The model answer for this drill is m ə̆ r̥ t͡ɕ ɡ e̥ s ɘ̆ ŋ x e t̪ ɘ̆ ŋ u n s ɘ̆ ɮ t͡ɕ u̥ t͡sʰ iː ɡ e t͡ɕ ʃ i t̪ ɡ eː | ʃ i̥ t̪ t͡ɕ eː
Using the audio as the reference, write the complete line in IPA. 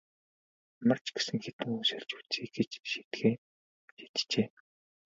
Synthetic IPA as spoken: m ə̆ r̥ t͡ɕ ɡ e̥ s ɘ̆ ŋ x e t̪ ɘ̆ ŋ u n s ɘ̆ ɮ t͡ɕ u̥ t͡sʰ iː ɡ e t͡ɕ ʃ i t̪ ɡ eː | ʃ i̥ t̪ t͡ɕ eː